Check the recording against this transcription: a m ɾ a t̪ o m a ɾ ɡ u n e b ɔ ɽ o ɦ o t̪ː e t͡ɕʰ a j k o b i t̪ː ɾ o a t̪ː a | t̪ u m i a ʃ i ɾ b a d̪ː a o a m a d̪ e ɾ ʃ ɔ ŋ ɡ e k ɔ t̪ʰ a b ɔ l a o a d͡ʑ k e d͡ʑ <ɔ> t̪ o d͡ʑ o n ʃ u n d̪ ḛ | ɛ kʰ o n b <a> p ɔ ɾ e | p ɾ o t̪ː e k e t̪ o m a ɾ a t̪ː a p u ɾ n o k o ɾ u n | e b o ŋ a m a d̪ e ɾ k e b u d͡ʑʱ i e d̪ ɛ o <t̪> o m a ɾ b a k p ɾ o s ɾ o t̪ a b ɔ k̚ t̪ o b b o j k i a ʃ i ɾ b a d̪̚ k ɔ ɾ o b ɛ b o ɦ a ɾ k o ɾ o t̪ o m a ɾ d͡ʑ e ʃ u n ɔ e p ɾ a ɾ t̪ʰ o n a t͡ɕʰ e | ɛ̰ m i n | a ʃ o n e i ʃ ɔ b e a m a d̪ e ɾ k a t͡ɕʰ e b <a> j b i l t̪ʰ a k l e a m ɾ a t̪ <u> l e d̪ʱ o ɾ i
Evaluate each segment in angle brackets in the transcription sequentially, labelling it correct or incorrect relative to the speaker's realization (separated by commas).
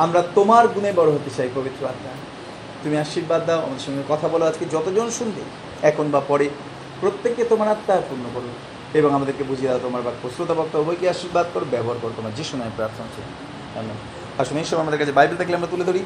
correct, correct, correct, correct, correct